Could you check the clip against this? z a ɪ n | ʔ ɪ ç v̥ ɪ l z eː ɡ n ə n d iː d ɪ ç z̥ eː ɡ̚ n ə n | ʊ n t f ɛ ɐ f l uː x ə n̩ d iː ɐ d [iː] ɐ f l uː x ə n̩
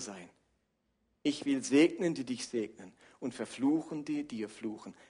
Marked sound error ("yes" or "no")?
no